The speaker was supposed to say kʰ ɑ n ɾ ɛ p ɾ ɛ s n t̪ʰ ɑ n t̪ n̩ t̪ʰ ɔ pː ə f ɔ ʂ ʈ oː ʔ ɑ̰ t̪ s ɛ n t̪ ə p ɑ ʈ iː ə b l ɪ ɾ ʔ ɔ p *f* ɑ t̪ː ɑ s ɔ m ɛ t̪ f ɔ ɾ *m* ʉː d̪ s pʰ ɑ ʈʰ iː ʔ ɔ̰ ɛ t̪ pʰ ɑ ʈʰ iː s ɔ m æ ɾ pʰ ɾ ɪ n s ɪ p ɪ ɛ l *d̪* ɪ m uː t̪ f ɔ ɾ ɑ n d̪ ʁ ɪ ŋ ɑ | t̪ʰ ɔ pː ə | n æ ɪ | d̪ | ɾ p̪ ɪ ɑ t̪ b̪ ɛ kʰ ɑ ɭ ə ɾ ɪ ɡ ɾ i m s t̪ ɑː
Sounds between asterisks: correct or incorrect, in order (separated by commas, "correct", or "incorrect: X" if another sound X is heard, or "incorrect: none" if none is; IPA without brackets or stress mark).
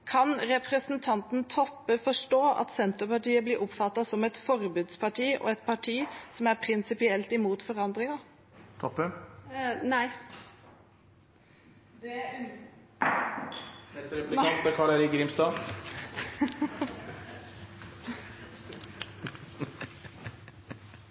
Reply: correct, incorrect: b, incorrect: t̪